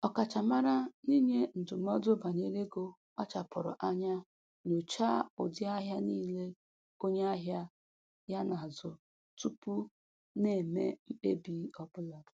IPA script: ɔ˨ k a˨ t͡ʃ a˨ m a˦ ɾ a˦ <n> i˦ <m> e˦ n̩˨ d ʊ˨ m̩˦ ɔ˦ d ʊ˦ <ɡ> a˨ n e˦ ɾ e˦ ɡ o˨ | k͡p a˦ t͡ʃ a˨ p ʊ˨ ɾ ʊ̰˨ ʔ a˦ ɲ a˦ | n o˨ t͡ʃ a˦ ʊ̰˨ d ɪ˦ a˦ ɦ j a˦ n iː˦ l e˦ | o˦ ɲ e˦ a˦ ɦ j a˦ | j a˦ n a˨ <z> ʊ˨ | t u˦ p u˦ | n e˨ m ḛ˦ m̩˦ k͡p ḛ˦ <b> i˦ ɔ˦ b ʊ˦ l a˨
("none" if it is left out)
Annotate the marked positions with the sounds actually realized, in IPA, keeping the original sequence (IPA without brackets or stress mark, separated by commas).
n, ɲ, b, z, b